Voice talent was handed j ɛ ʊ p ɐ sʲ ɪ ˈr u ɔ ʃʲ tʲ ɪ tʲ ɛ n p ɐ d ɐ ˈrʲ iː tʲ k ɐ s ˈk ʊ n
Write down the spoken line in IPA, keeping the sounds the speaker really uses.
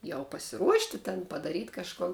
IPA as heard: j ɛ ʊ p ɐ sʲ ɪ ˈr u ɔ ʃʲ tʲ ɪ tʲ ɛ n p ɐ d ɐ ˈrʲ iː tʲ k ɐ ʃ ˈk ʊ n